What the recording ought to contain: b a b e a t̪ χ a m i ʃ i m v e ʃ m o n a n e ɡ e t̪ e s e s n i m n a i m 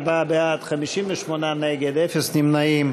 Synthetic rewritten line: b a b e a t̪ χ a m i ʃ i m v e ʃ m o n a n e ɡ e d̪ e f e s n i m n a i m